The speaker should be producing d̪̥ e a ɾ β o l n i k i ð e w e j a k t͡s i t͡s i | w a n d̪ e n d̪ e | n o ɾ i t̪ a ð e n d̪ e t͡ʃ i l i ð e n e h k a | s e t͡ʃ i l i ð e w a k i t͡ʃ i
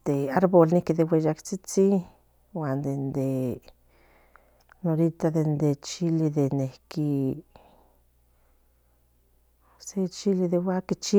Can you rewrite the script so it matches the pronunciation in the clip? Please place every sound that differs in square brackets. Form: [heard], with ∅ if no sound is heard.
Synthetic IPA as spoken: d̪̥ e a ɾ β o l n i k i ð e w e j a k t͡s i t͡s i | w a n d̪ e n d̪ e | n o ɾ i t̪ a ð e n d̪ e t͡ʃ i l i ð e n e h k [i] | s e t͡ʃ i l i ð e w a k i t͡ʃ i